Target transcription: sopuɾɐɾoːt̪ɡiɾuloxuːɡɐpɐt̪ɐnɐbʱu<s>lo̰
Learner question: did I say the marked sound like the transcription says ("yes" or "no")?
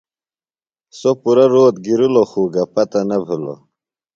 no